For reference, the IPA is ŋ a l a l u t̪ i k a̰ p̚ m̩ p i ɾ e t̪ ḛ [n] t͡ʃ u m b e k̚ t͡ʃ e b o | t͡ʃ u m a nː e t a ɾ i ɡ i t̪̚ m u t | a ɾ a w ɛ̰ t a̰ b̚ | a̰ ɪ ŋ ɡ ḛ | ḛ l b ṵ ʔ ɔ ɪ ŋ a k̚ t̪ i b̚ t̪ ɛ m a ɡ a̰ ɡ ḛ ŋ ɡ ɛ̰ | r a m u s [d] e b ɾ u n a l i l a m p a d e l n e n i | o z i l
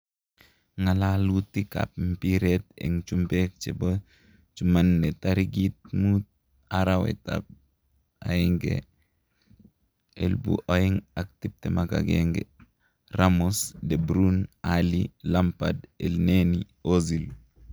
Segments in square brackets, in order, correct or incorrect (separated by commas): incorrect, correct